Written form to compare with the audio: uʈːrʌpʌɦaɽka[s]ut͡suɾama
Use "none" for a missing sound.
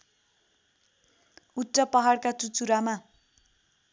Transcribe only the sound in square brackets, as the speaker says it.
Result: t͡s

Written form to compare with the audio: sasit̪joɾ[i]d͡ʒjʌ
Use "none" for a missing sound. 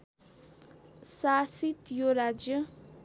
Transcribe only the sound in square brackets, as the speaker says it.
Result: a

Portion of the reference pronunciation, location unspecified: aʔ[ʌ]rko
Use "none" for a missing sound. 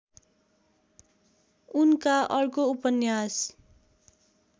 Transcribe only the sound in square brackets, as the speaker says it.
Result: ʌ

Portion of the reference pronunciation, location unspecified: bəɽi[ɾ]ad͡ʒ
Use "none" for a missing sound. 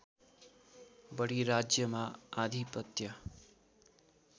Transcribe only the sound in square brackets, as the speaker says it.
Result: ɾ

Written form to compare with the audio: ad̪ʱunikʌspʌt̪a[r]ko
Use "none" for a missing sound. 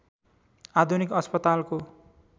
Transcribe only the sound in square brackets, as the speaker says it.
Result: l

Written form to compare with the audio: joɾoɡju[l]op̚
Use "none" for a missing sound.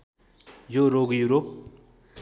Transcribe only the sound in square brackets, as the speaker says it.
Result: ɾ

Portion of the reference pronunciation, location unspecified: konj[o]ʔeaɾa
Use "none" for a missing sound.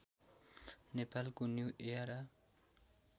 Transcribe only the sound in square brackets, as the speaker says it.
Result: u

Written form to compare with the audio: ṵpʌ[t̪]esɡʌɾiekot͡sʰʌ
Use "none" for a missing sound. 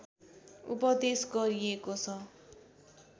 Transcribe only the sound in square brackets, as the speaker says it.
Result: d̪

